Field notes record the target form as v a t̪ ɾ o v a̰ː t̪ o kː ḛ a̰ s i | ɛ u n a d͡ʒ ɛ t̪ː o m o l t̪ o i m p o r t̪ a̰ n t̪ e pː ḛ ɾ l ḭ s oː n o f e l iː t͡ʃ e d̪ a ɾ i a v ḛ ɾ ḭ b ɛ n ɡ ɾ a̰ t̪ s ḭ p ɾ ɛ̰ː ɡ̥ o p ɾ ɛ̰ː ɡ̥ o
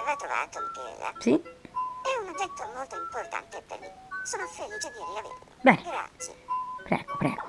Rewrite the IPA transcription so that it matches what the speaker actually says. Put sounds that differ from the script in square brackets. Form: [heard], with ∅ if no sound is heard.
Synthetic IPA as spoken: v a t̪ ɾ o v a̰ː t̪ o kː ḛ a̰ s i | ɛ u n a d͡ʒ ɛ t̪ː o m o l t̪ o i m p o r t̪ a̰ n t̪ e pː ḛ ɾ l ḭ s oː n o f e l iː t͡ʃ e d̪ [i] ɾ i a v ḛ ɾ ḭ b ɛ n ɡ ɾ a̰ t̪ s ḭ p ɾ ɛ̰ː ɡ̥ o p ɾ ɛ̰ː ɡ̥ o